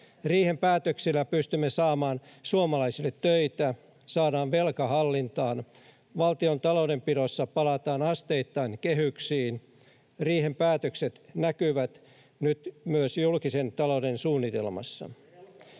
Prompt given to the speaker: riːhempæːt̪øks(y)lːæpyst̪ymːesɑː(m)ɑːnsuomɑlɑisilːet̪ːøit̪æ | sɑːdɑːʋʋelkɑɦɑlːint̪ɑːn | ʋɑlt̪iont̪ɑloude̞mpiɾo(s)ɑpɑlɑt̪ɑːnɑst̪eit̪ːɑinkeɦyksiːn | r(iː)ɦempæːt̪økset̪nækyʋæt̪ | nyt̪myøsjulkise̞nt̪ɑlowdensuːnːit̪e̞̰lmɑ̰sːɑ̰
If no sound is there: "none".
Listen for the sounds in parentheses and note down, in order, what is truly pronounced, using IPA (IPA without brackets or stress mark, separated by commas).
i, m, sː, iː